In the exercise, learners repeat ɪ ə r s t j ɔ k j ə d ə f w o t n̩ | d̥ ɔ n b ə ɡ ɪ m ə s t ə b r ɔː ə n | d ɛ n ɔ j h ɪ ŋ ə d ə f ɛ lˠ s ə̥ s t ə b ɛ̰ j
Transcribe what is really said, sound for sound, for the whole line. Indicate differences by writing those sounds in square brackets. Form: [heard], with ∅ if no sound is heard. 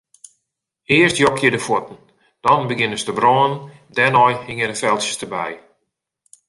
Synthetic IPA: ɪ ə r s t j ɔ k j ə d ə f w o t n̩ | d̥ ɔ n b ə ɡ ɪ [n] ə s t ə b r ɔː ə n | d ɛ n ɔ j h ɪ ŋ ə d ə f ɛ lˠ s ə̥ s t ə b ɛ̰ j